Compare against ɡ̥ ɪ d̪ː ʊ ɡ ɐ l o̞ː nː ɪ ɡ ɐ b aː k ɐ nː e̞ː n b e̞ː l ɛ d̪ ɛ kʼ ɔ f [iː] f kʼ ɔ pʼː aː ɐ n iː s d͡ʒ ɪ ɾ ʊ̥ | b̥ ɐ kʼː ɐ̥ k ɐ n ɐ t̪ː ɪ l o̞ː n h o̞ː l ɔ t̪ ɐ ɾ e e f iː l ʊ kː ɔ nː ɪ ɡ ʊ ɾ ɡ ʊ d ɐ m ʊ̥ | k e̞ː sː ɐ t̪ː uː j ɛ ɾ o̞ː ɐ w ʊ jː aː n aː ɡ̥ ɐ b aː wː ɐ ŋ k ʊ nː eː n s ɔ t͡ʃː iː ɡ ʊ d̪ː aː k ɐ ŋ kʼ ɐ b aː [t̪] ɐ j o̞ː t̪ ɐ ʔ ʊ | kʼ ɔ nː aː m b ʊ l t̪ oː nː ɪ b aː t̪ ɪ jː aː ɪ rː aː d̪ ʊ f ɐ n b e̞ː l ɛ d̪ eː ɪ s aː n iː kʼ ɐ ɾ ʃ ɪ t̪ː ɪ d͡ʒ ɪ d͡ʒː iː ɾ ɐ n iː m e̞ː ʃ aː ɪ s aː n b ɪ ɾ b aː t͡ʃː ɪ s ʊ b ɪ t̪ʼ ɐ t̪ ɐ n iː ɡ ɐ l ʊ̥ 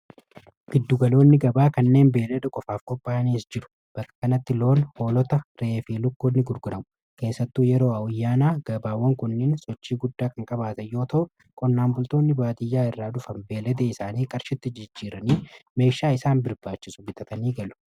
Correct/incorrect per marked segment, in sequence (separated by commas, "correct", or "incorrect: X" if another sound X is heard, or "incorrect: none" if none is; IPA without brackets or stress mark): incorrect: aː, correct